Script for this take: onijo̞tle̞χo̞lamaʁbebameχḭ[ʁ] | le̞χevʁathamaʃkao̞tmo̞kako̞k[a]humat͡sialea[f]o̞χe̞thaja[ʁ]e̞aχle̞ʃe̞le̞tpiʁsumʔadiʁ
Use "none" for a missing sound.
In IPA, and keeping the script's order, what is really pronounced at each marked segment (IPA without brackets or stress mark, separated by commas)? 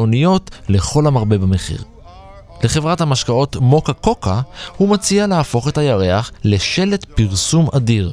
ʁ, a, f, ʁ